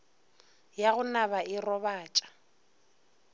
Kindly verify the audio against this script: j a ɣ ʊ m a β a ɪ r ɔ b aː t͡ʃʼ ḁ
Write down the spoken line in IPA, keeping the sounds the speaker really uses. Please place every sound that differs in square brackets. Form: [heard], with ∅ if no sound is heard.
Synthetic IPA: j a ɣ ʊ [n] a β a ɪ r ɔ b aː t͡ʃʼ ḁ